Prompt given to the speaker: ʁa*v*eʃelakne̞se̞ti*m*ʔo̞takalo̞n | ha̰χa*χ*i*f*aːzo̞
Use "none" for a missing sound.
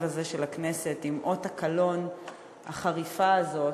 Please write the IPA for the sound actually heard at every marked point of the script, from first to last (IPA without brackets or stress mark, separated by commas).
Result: z, m, ʁ, f